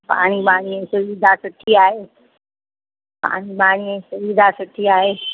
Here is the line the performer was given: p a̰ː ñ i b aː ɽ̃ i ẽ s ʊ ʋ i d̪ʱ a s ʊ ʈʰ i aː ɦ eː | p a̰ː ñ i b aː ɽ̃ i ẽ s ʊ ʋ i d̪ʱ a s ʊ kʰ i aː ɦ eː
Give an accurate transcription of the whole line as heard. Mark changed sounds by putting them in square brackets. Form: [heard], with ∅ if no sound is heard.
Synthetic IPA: p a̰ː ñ i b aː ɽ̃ i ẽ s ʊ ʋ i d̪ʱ a s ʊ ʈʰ i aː ɦ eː | p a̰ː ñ i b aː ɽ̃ i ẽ s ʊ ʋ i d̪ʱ a s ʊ [ʈʰ] i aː ɦ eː